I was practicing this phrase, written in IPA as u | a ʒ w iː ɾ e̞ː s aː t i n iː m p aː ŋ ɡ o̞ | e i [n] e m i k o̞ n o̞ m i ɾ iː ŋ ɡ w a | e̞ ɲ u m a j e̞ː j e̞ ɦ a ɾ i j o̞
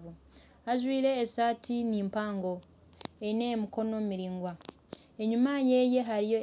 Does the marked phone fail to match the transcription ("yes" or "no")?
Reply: no